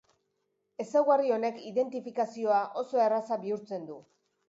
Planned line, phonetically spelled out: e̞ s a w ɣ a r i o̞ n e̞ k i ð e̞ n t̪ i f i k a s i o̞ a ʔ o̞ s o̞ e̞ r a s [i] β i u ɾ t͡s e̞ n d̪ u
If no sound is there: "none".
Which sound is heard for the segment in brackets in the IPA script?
a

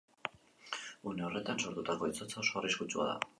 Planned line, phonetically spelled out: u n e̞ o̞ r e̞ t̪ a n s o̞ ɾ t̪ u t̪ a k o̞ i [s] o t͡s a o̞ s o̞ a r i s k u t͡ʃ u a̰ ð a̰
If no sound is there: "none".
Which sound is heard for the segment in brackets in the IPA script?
t͡s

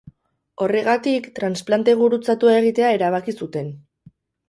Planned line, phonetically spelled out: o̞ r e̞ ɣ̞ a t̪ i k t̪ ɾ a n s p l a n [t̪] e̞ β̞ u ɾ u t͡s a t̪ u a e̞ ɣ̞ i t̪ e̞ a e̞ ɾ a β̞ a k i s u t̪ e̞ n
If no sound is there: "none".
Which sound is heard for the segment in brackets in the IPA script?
t̪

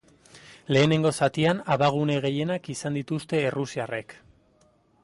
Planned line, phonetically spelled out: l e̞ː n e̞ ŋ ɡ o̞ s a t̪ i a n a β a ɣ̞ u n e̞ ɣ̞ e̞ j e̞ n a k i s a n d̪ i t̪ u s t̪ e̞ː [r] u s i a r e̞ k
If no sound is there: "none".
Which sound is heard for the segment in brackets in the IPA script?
r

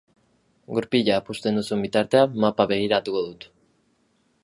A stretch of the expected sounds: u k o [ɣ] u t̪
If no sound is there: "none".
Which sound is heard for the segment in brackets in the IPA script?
ð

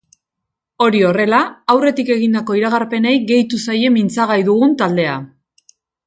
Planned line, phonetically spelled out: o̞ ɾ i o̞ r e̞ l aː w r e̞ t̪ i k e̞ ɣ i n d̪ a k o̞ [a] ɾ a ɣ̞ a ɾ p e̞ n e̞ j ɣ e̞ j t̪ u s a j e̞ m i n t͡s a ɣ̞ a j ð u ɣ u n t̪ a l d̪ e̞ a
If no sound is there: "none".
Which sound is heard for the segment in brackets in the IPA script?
i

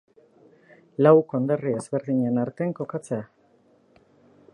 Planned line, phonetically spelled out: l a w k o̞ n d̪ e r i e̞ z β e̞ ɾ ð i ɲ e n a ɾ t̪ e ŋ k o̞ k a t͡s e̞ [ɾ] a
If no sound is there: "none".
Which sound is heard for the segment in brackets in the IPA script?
none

